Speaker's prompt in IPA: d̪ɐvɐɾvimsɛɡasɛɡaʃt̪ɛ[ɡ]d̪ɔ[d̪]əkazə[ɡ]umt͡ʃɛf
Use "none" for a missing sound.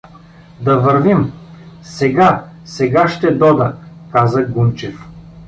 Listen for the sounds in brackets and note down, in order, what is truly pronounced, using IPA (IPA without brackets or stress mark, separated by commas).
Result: none, d̪, ɡ